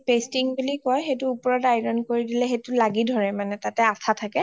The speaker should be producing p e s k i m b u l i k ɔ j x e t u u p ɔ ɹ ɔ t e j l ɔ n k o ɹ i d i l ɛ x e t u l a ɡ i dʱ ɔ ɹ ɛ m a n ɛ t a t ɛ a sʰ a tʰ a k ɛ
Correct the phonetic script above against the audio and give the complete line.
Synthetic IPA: p e s t i ŋ b u l i k ɔ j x e t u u p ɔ ɹ ɔ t a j ɹ ɔ n k o ɹ i d i l ɛ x e t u l a ɡ i dʱ ɔ ɹ ɛ m a n ɛ t a t ɛ a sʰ a tʰ a k ɛ